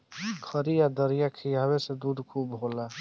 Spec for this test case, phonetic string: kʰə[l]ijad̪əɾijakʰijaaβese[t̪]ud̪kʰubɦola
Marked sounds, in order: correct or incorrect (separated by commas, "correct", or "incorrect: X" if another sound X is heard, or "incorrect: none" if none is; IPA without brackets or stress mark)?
incorrect: ɾ, incorrect: d̪